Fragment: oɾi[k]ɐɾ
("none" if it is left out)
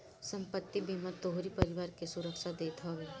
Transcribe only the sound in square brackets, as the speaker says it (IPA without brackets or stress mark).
p